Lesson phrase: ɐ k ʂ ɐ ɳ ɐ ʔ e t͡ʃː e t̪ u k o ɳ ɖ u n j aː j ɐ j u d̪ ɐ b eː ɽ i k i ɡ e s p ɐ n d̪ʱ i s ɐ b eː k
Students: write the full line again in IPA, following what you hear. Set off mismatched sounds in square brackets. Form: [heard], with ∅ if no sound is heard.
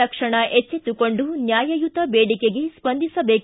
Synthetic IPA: ɐ k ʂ ɐ ɳ ɐ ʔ e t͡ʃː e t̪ u k o ɳ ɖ u n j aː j ɐ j u [t̪] ɐ b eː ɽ i k [e] ɡ e s p ɐ n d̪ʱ i s ɐ b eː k